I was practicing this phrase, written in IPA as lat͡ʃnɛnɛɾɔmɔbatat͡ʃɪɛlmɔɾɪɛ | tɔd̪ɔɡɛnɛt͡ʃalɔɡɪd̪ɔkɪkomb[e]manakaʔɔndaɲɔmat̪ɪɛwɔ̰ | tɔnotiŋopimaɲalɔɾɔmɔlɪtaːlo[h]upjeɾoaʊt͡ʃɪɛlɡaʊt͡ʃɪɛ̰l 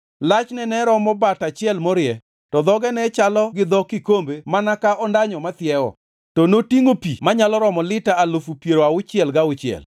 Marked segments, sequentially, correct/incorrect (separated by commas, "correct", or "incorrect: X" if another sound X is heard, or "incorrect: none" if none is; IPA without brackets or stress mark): correct, incorrect: f